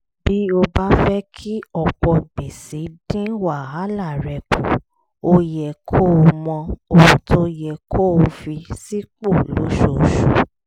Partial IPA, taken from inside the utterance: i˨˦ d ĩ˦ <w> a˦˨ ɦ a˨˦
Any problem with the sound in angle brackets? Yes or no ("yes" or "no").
no